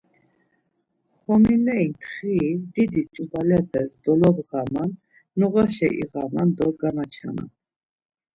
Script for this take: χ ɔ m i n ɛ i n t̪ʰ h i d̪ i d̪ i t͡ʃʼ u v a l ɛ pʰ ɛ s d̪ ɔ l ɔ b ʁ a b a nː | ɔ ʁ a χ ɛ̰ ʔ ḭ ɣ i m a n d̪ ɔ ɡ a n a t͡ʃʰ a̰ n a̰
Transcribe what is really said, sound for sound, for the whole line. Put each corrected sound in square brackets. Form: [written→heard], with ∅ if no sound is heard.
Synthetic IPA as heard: χ ɔ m i n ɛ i n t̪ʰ [h→χ] i d̪ i d̪ i t͡ʃʼ u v a l ɛ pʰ ɛ s d̪ ɔ l ɔ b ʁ a [b→m] a nː | ɔ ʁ a [χ→ʃ] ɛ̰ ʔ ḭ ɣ [i→a] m a n d̪ ɔ ɡ a n a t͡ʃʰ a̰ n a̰